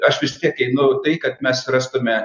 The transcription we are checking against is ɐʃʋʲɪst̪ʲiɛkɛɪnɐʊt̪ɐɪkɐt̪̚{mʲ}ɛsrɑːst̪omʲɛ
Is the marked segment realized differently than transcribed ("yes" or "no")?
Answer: no